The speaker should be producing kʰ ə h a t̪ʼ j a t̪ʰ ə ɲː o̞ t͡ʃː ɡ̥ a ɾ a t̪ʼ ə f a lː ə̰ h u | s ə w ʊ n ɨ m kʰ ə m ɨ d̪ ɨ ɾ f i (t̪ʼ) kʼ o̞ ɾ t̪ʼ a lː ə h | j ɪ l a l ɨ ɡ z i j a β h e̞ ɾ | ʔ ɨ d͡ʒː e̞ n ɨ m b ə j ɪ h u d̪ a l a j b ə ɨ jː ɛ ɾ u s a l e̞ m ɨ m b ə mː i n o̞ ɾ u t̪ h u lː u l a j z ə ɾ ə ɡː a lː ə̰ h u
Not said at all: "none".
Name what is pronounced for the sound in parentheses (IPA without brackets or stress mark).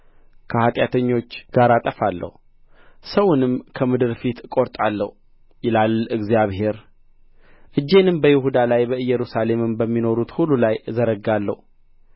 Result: t̪